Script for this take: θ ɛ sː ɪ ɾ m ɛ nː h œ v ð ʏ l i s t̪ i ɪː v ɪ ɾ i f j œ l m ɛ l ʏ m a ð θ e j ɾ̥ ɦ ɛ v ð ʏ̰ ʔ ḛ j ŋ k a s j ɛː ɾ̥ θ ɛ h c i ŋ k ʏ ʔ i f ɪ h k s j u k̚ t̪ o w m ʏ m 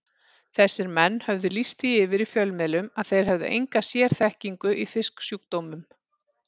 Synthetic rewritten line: θ ɛ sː ɪ ɾ m ɛ nː h œ v ð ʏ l i s t̪ i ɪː v ɪ ɾ i f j œ l m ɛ l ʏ m a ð θ e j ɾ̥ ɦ ɛ v ð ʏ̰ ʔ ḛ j ŋ k a s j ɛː ɾ̥ θ ɛ h c i ŋ k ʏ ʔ i f ɪ s k s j u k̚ t̪ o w m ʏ m